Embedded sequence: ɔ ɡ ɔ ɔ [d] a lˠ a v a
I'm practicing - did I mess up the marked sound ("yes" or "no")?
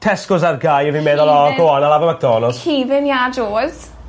yes